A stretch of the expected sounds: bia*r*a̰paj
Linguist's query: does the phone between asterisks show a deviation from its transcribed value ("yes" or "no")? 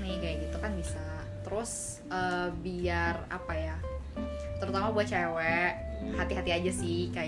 no